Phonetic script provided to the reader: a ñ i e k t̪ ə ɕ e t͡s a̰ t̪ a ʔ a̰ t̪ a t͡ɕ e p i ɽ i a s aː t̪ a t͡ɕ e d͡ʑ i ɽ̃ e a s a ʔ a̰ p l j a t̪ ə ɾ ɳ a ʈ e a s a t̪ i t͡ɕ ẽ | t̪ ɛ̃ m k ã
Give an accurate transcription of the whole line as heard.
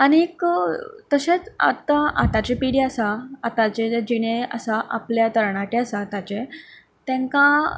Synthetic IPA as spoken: a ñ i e k t̪ ə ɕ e t͡s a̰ t̪ a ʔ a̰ t̪ a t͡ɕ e p i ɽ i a s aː t̪ a t͡ɕ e d͡ʑ i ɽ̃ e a s a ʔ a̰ p l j a t̪ ə ɾ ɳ a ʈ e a s a t̪ a t͡ɕ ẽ | t̪ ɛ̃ ŋ k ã

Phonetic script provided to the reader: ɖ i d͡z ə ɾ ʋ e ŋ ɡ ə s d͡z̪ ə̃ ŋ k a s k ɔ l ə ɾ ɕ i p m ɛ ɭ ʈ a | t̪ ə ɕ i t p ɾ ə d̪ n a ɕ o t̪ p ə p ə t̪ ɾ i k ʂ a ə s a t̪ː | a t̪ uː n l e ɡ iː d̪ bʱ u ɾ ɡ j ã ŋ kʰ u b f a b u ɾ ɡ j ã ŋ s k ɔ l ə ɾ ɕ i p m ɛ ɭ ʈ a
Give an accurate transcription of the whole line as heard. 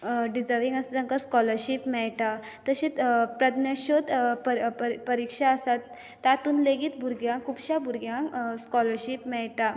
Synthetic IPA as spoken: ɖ i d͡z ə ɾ ʋ i ŋ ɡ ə s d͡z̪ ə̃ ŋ k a s k ɔ l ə ɾ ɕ i p m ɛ ɭ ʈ a | t̪ ə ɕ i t p ɾ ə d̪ n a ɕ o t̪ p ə p ə ɾ i k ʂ a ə s a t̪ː | a t̪ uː n l e ɡ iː t̪ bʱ u ɾ ɡ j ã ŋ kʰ u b ɕ a b u ɾ ɡ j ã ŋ s k ɔ l ə ɾ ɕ i p m ɛ ɭ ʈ a

